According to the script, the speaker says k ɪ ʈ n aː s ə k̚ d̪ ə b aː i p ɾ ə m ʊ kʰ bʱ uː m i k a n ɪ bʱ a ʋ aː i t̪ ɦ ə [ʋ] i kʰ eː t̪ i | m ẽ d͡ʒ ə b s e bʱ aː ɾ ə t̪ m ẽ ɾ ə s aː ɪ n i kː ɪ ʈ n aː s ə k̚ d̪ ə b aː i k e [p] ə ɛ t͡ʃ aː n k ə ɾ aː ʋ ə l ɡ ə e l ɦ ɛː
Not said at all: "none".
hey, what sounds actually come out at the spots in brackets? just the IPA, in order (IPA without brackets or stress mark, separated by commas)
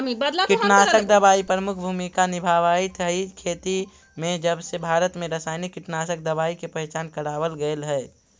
none, p